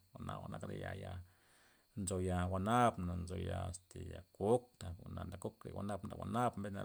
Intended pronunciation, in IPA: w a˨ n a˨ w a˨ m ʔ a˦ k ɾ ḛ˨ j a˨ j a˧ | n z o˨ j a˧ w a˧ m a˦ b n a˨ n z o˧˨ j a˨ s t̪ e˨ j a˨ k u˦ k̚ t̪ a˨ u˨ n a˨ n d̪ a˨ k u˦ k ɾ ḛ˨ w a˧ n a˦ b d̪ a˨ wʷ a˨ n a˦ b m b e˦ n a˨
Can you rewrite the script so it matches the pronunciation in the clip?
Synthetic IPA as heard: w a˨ n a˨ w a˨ n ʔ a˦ k ɾ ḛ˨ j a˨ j a˧ | n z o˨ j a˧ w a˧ n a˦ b n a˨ n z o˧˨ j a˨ s t̪ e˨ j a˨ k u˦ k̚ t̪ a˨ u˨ n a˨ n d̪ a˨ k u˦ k ɾ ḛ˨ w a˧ n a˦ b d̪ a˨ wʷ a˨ n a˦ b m b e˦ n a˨